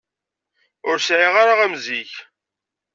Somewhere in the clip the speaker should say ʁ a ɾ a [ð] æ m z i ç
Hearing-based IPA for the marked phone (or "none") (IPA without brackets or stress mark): ʁ